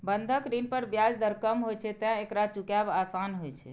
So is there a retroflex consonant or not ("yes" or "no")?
no